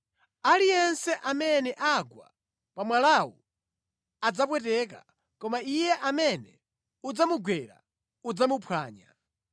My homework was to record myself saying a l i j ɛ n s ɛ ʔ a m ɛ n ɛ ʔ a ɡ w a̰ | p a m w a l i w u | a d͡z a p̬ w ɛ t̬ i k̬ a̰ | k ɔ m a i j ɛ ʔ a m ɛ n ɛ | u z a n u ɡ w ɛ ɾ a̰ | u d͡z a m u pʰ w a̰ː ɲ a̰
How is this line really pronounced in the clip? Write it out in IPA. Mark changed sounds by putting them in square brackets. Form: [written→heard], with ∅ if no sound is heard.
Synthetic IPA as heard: a l i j ɛ n s ɛ ʔ a m ɛ n ɛ ʔ a ɡ w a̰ | p a m w a l [i→a] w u | a d͡z a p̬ w ɛ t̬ [i→ɛ] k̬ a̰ | k ɔ m a i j ɛ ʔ a m ɛ n ɛ | u [z→d͡z] a [n→m] u ɡ w ɛ ɾ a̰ | u d͡z a m u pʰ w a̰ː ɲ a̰